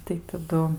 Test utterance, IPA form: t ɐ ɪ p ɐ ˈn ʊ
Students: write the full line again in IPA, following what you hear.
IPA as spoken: t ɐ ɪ t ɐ ˈd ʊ